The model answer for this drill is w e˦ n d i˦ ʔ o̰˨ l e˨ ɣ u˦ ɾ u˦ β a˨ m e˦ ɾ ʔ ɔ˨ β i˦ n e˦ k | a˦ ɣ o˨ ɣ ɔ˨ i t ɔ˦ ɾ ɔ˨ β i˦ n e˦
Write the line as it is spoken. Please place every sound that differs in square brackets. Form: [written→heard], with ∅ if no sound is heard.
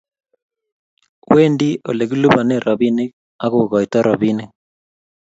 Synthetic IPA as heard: w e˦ n d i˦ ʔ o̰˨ l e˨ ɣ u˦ [ɾ→l] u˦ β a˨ [m→n] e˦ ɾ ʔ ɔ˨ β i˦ n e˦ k | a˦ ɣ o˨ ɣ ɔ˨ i t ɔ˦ ɾ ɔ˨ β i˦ n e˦